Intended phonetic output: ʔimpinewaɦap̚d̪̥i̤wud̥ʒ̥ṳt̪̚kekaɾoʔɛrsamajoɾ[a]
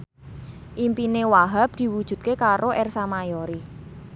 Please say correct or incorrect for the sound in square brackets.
incorrect